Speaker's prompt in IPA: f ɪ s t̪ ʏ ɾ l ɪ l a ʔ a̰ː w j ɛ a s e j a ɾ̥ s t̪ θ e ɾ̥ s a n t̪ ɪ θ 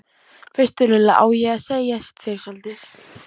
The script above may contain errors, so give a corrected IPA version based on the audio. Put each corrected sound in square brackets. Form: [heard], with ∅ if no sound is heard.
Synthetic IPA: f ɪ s t̪ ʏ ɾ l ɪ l a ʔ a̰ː w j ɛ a s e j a [∅] s t̪ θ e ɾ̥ s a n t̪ ɪ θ